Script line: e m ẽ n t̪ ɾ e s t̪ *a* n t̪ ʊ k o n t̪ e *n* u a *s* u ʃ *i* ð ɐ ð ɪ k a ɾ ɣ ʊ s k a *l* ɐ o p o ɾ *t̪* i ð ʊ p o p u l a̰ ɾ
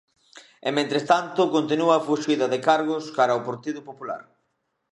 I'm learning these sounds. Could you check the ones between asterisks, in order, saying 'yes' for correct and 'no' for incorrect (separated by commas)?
yes, yes, no, yes, no, yes